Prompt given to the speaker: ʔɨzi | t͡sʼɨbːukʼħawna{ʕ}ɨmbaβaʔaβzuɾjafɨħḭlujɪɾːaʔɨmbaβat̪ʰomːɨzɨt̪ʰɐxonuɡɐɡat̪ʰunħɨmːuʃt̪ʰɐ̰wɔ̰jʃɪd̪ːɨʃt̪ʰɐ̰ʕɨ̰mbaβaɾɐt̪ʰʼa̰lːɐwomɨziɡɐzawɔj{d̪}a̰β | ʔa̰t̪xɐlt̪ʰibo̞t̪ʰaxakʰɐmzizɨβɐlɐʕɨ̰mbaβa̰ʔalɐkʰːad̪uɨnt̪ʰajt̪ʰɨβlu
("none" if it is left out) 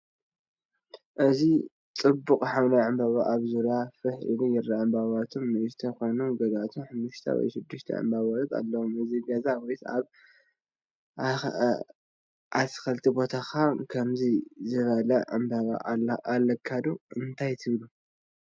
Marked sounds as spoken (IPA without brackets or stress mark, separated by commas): ʕ, t̪